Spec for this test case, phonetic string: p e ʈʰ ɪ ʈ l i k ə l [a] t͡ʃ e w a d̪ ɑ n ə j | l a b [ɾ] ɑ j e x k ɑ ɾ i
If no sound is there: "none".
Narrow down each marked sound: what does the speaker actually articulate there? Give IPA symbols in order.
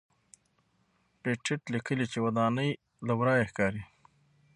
i, ɾ

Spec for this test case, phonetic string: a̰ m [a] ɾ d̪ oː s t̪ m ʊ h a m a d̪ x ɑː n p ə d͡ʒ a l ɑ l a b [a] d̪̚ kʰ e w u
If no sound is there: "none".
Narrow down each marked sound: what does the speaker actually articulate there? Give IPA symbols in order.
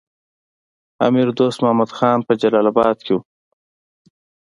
i, ɑ

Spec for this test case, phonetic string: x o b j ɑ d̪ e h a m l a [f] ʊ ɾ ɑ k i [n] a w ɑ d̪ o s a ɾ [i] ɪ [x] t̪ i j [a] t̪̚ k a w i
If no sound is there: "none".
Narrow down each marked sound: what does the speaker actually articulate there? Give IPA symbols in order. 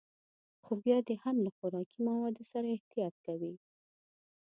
x, m, a, h, ɑ

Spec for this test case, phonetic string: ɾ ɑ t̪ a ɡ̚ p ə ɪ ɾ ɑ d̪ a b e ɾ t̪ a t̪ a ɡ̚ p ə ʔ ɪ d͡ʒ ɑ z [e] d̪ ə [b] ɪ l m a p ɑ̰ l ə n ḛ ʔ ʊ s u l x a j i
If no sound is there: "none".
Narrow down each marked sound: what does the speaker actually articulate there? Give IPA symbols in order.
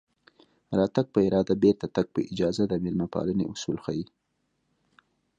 a, m

